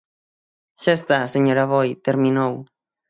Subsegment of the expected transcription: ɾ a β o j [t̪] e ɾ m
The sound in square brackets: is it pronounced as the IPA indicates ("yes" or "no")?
yes